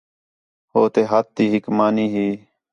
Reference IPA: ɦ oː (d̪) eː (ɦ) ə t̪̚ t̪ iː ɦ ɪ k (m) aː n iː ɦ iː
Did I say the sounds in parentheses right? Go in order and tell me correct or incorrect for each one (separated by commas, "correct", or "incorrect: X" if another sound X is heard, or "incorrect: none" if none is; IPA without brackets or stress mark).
incorrect: t̪, correct, correct